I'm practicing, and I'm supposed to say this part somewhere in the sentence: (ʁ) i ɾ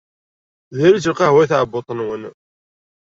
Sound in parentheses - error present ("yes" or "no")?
yes